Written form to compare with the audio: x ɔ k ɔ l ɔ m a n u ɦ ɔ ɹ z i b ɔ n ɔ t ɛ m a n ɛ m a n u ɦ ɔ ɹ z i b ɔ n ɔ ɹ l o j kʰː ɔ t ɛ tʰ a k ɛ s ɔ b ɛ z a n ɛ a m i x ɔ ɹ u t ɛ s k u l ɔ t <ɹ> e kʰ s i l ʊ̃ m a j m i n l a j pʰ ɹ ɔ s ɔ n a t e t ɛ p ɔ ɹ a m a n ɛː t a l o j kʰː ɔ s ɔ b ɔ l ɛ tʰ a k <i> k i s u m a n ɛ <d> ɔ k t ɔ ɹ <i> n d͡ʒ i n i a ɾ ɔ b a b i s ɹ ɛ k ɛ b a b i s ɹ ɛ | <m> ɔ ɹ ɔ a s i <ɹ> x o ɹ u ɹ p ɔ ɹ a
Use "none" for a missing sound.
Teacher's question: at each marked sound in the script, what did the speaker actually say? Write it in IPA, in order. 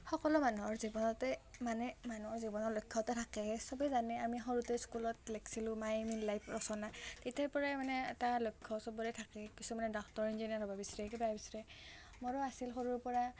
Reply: l, ɛ, d, i, m, l

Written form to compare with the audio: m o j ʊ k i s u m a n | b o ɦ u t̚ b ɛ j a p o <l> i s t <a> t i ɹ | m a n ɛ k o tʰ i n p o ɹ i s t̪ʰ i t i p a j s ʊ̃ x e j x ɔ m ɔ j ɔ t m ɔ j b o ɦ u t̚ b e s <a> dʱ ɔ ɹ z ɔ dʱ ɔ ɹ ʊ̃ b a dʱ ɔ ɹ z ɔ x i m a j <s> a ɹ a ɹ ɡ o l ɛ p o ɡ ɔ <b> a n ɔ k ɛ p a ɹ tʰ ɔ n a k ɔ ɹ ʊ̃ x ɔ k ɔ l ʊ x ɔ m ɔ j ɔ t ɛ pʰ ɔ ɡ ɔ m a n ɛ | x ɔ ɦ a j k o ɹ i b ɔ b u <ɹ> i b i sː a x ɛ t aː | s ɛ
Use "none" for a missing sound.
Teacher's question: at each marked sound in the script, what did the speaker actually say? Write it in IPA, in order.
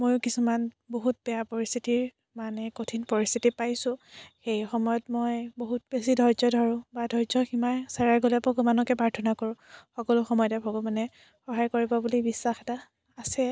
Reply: ɹ, i, i, s, m, l

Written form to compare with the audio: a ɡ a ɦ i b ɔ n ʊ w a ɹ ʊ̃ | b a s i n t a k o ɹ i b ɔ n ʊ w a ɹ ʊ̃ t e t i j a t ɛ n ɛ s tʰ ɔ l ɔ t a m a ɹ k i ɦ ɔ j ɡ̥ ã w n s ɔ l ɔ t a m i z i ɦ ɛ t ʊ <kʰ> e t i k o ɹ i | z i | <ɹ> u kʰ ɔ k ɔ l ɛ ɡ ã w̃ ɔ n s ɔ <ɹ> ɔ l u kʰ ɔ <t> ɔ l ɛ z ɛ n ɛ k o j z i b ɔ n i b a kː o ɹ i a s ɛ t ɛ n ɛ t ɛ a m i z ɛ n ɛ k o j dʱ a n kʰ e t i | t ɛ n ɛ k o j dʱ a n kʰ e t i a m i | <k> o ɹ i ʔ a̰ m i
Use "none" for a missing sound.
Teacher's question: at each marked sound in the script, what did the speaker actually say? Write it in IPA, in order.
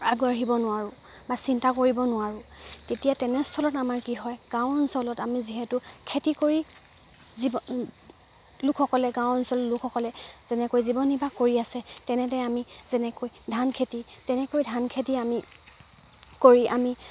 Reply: kʰ, l, l, k, k

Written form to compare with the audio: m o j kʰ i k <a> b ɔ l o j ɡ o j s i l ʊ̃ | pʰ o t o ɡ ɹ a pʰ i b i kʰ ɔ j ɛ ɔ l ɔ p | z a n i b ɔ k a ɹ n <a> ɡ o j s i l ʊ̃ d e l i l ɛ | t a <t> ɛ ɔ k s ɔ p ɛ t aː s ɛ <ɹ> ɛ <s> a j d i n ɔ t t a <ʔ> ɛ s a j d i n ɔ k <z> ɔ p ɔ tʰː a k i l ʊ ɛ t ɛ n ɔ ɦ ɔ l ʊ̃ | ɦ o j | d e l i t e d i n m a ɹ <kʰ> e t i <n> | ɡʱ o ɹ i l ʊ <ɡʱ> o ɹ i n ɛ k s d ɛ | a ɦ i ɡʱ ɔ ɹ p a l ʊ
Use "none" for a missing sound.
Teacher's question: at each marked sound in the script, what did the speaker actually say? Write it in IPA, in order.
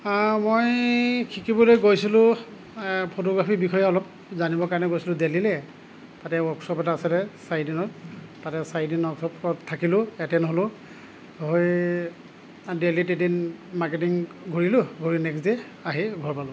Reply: i, ɛ, t, l, s, t, s, k, ŋ, ɡʱ

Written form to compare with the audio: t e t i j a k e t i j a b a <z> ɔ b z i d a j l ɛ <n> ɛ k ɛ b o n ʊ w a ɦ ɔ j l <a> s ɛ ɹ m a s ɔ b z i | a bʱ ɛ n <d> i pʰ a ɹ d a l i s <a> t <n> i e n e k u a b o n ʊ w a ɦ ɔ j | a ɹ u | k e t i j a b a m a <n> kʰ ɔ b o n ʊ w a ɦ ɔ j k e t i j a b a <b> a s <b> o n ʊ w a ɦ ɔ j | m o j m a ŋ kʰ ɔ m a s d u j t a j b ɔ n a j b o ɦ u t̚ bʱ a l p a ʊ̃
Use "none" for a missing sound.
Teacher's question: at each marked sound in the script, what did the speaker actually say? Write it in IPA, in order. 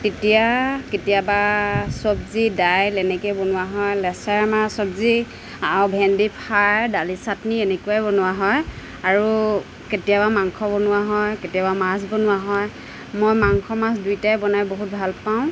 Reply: s, n, ɛ, d, a, n, ŋ, m, b

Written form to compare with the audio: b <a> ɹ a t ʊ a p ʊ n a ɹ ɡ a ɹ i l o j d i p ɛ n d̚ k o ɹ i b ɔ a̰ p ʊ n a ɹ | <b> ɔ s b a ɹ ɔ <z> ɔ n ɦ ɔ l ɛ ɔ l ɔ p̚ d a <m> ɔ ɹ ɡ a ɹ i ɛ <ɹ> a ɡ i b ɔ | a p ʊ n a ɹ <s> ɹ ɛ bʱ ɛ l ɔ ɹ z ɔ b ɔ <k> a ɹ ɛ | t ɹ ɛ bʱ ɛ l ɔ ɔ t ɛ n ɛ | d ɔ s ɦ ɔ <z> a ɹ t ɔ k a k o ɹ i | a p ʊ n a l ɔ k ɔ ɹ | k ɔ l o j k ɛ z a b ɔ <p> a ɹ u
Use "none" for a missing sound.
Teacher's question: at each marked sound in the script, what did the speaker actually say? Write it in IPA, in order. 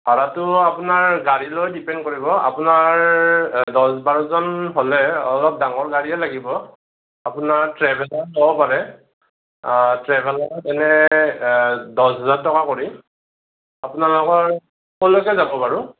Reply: a, d, z, ŋ, l, t, p, z, p

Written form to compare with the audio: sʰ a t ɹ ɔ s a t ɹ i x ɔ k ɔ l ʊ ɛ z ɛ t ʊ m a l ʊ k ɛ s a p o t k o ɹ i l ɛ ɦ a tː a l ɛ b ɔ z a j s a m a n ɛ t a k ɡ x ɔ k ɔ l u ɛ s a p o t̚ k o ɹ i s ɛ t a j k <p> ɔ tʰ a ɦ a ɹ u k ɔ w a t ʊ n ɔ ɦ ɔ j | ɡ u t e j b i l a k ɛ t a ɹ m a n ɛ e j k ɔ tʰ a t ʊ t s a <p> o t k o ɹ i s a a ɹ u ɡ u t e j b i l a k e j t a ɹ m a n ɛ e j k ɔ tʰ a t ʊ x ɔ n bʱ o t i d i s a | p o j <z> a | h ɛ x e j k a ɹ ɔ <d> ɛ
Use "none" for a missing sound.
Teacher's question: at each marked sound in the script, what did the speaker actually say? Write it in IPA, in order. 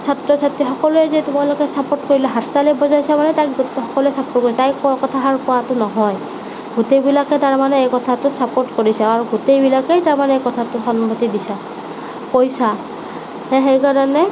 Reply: k, p, s, n

